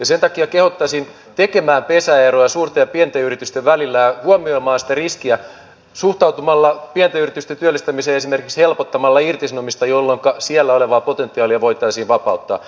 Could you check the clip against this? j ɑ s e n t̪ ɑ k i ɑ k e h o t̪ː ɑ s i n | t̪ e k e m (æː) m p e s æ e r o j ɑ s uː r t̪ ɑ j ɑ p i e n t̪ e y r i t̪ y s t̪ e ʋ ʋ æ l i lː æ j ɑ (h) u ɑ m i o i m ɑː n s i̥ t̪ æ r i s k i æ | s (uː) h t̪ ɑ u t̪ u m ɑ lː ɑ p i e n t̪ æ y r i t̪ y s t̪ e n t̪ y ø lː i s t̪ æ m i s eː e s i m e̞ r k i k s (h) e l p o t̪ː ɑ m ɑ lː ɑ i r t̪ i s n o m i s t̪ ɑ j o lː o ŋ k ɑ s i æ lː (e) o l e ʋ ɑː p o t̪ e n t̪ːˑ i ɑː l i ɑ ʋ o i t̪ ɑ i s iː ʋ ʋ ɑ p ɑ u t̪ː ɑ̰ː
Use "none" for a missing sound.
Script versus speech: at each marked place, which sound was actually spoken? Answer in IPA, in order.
æː, h, u, h, æ

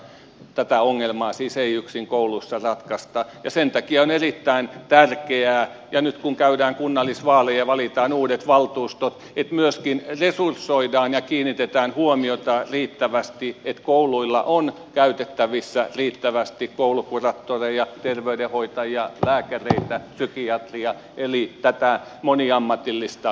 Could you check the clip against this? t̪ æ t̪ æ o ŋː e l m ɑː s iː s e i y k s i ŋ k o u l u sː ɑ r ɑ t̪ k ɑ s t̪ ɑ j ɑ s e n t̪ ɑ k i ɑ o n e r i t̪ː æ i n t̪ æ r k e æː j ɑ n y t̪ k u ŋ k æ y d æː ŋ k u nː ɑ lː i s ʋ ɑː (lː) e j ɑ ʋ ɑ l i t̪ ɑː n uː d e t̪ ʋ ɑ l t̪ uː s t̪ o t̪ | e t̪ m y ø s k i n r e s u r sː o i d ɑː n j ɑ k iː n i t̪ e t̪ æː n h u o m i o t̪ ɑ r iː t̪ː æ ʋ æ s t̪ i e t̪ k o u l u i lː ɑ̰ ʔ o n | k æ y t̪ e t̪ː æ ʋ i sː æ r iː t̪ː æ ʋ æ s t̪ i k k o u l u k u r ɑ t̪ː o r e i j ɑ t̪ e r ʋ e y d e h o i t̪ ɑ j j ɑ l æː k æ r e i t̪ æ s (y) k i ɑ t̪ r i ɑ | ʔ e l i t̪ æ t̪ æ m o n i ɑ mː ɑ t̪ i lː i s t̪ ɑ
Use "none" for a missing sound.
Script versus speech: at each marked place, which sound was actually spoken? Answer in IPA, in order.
l, y

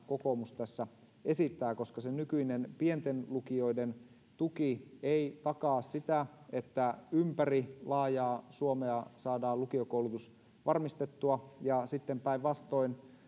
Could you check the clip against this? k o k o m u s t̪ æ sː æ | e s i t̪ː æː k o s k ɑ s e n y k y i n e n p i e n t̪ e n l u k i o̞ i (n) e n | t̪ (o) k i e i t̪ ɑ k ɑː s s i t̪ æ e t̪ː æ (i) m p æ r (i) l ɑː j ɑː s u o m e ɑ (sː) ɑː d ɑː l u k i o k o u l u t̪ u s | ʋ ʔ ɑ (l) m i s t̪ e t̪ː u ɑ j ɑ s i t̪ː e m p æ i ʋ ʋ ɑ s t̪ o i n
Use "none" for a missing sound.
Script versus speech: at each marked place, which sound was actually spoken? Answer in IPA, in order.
d, u, y, i, s, r

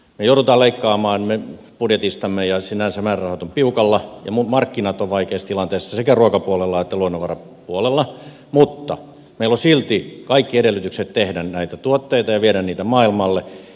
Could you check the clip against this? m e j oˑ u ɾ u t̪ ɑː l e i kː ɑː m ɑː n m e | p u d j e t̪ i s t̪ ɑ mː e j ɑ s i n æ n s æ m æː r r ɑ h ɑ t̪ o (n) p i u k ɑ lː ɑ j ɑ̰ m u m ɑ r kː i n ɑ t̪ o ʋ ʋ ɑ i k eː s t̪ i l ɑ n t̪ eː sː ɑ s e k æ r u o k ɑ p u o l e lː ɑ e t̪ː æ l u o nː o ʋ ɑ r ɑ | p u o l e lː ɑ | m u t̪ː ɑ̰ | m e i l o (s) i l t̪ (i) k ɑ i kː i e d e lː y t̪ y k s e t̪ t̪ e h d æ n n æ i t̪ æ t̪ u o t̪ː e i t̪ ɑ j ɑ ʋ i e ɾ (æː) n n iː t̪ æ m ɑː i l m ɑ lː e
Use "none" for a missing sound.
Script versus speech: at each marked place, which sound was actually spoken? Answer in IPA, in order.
m, s, i, æ

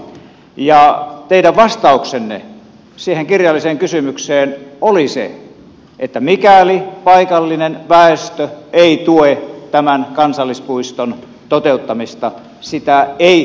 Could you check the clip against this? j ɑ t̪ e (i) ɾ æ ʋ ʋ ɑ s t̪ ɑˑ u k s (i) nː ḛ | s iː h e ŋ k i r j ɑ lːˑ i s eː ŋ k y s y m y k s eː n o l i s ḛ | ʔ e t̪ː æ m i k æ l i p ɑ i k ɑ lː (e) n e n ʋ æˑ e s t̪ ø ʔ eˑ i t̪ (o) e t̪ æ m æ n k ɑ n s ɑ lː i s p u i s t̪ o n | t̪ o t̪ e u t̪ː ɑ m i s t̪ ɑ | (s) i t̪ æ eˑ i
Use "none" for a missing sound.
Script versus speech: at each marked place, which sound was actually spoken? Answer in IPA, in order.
i, e, i, u, s

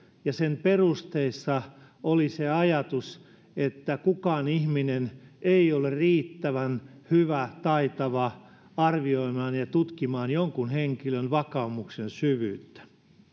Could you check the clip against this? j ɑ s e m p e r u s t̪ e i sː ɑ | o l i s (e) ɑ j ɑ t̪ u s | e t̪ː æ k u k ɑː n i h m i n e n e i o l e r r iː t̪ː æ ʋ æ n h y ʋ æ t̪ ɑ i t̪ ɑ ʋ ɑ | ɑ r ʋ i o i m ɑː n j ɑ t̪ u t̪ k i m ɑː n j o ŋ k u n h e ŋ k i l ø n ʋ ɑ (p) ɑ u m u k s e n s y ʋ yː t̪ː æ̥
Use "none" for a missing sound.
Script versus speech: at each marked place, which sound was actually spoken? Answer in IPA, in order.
e, k

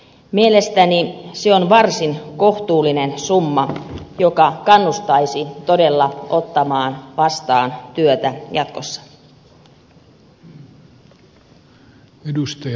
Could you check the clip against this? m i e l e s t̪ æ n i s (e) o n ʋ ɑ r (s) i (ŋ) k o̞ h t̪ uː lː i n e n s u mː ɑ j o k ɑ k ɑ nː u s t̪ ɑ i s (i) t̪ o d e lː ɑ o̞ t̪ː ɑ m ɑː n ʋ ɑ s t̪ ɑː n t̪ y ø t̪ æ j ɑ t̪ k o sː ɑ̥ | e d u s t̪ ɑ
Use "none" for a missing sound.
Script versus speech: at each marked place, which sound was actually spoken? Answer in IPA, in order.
e, s, n, i

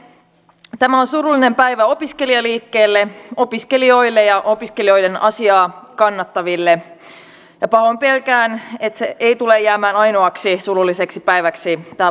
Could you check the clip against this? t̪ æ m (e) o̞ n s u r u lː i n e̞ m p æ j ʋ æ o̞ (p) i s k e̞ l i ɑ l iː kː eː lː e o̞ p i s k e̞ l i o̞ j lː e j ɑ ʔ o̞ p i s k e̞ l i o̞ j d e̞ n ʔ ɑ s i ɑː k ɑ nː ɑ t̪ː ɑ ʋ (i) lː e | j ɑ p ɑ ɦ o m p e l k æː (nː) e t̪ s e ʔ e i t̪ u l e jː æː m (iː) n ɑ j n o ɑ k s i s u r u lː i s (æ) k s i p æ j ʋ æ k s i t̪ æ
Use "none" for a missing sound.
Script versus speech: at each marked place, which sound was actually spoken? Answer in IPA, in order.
æ, p, i, n, æː, e

